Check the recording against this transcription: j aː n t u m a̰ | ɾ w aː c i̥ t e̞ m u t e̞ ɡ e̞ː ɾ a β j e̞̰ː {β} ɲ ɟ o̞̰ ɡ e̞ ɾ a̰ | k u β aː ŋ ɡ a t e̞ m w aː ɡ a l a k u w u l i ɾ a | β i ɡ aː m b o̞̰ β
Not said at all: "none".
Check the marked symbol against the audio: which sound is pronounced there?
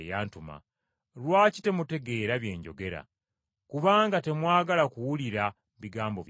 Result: none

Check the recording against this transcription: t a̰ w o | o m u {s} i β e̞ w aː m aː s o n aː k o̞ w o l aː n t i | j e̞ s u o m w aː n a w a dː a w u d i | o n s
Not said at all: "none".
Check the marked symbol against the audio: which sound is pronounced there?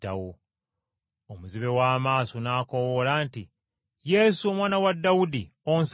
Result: z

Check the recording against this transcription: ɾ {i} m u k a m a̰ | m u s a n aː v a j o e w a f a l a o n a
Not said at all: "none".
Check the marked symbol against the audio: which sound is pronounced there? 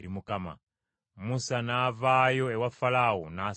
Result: i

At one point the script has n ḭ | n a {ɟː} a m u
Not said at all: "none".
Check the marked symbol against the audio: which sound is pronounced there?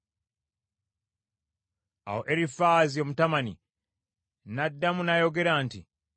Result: dː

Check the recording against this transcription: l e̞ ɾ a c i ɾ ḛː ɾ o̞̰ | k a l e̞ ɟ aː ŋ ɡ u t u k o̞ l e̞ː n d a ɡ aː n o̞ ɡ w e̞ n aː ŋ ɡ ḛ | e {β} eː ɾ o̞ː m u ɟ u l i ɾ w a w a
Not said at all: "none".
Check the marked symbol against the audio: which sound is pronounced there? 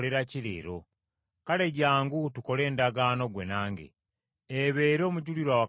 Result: β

